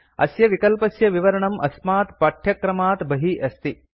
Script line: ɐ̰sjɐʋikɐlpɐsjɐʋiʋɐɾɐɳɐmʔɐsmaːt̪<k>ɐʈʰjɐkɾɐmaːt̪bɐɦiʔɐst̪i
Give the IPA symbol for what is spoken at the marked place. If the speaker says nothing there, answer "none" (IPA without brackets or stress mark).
p